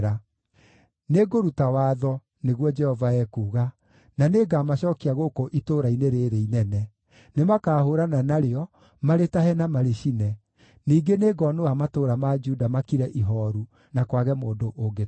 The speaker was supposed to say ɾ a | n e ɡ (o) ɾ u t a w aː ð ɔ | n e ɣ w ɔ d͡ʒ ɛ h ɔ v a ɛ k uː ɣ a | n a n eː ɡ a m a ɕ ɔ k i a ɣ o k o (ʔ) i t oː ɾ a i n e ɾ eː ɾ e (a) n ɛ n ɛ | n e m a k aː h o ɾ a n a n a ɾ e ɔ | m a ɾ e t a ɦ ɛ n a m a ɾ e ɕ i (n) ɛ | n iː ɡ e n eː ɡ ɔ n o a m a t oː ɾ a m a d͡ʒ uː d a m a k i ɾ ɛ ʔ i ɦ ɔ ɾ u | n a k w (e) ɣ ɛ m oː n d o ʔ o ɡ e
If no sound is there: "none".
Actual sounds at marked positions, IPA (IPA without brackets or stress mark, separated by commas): o, ʔ, i, n, a